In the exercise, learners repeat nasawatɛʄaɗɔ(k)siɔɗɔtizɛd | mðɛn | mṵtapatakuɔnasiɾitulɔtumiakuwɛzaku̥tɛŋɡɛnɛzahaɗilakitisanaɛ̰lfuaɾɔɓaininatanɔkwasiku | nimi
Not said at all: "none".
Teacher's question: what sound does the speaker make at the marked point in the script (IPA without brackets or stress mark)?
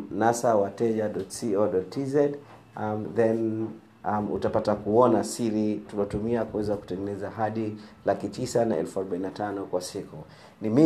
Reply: t